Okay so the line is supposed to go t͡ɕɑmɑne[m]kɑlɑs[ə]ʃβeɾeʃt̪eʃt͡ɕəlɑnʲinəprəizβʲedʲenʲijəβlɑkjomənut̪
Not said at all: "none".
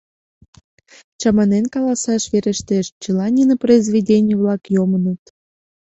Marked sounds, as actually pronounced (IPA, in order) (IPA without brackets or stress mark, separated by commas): n, ɑ